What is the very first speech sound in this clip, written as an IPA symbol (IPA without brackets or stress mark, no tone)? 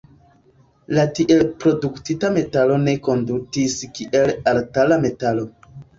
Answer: l